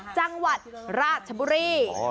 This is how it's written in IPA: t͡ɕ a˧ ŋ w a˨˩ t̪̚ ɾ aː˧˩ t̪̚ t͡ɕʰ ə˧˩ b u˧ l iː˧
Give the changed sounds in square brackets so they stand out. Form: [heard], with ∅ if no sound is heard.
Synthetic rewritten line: t͡ɕ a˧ ŋ w a˨˩ t̪̚ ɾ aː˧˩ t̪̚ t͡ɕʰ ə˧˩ b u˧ [ɾ] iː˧